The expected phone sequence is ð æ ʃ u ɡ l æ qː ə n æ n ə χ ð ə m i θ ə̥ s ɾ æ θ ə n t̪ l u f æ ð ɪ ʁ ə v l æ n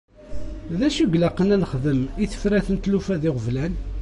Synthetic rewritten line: ð æ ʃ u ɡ l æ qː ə n æ n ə χ ð ə m i θ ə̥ f ɾ æ θ ə n t̪ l u f æ ð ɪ ʁ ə v l æ n

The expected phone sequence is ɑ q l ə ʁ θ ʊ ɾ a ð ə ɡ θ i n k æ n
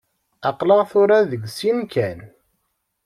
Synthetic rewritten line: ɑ q l ə ʁ θ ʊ ɾ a ð ə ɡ s i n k æ n

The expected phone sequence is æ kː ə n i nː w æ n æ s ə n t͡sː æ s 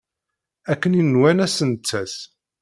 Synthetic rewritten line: æ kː ə n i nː w æ n æ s ə n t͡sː æ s

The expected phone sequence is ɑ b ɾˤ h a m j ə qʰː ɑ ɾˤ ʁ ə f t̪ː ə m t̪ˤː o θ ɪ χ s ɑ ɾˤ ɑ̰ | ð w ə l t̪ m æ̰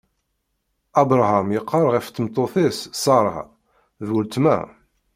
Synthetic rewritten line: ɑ b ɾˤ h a m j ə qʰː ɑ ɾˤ ʁ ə f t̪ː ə m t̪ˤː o θ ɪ s s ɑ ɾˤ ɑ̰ | ð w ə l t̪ m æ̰

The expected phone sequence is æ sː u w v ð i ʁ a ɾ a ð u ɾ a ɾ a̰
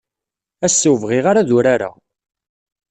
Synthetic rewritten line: æ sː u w v ʁ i ʁ a ɾ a ð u ɾ a ɾ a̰

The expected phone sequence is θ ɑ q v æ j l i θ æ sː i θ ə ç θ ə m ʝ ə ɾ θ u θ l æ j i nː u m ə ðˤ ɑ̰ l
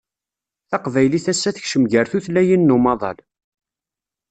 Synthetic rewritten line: θ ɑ q v æ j l i θ æ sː æ θ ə ç ʃ ə m ʝ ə ɾ θ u θ l æ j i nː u m ɑ ðˤ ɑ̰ l

